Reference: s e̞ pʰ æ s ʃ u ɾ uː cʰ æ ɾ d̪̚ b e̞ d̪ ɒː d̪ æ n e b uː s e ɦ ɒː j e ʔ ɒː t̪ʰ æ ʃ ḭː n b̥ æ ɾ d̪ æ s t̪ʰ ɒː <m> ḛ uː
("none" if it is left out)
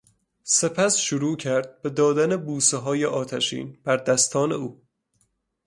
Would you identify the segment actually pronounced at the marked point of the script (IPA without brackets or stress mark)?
n